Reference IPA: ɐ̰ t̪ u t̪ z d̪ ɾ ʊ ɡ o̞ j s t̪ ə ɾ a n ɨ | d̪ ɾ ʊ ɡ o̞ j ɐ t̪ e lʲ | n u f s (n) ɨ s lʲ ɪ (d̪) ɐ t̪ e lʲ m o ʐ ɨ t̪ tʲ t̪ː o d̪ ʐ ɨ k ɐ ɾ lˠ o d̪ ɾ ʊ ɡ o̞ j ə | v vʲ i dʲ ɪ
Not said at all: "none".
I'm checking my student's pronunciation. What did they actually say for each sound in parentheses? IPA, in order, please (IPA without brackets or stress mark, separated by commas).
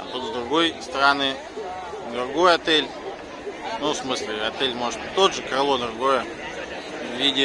m, none